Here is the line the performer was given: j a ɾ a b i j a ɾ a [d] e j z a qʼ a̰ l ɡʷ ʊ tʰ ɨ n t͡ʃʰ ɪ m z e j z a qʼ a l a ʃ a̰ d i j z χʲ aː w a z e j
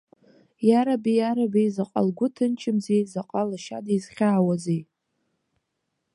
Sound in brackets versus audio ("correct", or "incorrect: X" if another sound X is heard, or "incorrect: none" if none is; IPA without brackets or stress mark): incorrect: b